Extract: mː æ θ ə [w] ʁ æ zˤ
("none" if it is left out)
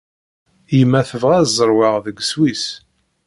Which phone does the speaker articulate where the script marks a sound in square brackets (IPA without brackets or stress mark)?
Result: v